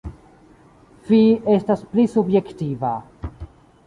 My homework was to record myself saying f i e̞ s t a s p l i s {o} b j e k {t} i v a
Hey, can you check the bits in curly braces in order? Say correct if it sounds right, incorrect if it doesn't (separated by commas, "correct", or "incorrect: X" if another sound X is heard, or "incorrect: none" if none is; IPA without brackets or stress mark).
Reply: incorrect: u, correct